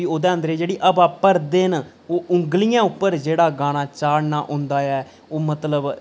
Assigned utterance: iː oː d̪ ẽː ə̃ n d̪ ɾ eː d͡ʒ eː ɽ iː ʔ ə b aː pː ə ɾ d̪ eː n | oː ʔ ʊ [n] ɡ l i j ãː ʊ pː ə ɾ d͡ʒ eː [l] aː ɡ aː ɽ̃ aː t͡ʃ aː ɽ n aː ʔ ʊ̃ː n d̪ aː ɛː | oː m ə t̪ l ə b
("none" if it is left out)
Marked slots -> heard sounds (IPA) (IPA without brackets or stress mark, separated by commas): ŋ, ɽ